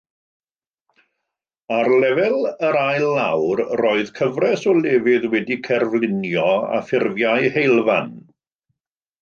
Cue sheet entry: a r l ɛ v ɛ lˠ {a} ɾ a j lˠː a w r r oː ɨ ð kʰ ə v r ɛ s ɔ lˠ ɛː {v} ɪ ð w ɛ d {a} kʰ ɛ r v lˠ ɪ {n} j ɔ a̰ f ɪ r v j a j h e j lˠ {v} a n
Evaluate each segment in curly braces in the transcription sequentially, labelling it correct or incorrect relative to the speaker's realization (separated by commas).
incorrect, correct, incorrect, correct, correct